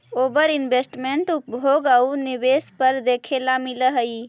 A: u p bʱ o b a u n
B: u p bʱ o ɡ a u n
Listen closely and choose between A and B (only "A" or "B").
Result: B